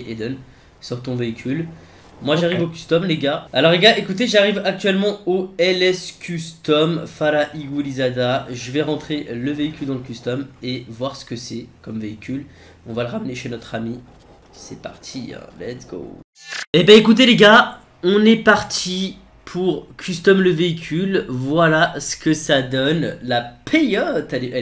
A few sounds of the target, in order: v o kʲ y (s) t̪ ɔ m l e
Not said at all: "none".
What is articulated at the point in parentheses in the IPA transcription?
s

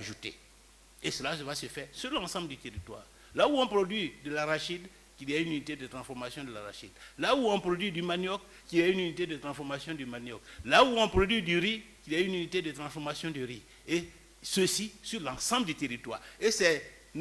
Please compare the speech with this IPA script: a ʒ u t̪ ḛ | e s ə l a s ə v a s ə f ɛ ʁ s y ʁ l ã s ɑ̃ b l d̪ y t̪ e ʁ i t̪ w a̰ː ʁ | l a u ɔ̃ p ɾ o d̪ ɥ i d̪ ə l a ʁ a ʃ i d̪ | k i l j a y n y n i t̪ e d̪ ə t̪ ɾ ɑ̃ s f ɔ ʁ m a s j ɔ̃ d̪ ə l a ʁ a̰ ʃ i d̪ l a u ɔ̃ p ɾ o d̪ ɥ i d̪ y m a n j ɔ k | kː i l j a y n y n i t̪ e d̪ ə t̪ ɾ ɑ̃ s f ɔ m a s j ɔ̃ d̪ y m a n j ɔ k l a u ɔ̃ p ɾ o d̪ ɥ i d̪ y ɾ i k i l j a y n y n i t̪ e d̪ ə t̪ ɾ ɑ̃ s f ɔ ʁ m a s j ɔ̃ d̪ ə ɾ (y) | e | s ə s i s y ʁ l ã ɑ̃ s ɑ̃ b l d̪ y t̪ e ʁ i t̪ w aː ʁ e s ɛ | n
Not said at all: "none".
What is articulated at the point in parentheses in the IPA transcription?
i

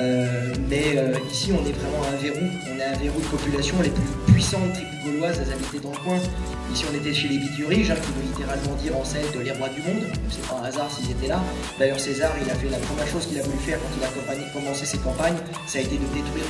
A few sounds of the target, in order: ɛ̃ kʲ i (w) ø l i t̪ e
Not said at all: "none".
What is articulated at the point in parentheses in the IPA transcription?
v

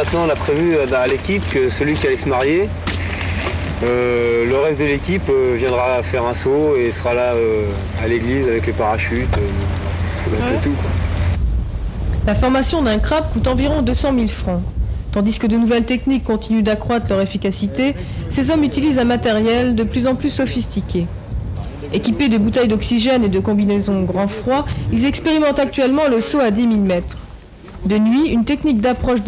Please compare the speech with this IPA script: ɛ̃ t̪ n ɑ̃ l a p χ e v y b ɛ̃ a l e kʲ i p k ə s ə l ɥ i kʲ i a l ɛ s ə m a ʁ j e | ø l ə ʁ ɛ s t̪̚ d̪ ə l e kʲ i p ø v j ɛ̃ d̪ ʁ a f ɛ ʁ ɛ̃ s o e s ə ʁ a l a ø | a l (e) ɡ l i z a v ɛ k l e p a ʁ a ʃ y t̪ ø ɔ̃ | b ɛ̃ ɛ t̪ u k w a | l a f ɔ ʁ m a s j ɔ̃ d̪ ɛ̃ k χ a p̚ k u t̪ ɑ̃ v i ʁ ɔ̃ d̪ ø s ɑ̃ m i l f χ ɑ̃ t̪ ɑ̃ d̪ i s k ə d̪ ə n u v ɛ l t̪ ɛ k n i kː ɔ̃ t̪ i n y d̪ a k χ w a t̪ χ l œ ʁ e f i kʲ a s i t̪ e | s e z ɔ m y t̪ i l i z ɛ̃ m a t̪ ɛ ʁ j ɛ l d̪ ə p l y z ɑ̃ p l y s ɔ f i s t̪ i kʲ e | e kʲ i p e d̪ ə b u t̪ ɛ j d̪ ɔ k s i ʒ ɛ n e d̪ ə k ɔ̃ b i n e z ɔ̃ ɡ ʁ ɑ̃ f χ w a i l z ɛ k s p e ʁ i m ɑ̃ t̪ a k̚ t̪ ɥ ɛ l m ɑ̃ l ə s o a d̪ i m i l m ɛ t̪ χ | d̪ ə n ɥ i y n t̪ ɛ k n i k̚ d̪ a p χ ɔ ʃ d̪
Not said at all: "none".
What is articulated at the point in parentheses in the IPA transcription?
e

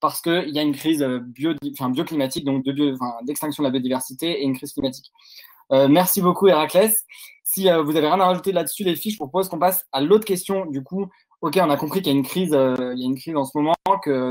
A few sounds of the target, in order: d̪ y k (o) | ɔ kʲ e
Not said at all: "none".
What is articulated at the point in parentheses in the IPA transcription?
u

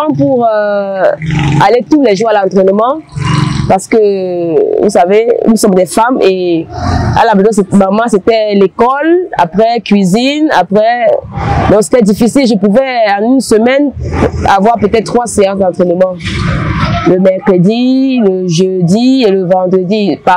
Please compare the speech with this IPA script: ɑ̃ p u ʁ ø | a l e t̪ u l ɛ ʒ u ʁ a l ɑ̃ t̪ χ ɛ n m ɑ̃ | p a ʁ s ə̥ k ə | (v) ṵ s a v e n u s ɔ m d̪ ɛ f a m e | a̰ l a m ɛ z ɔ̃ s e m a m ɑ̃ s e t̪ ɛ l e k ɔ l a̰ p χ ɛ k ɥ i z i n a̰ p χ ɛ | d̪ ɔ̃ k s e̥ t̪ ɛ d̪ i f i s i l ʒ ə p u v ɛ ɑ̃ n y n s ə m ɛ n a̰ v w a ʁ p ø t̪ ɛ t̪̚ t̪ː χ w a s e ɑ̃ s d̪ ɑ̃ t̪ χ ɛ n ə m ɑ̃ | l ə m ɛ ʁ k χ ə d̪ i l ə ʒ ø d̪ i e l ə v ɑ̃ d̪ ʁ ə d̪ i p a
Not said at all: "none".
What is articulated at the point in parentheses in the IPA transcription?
v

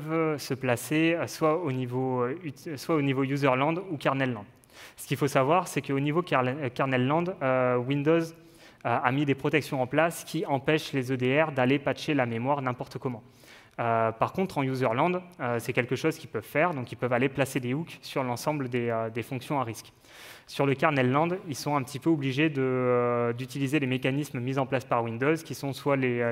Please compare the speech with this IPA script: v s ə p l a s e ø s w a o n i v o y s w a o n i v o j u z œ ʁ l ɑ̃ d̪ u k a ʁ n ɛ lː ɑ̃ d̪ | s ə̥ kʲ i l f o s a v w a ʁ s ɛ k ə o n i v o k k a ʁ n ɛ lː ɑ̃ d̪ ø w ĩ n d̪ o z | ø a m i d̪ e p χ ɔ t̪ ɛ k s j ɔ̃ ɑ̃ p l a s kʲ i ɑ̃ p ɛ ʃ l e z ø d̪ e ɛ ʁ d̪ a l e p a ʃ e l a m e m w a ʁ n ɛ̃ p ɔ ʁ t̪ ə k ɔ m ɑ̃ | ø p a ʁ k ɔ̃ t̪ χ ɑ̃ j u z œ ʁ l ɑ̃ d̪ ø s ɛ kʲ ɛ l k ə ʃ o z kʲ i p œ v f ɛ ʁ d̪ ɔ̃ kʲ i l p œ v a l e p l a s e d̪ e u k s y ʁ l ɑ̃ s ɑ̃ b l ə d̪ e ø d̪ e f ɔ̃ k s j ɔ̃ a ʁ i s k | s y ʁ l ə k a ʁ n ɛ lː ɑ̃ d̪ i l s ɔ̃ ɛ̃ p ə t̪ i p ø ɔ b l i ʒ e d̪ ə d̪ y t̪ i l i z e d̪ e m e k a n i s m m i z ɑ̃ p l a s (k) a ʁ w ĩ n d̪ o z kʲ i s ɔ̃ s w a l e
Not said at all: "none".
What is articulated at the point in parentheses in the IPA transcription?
p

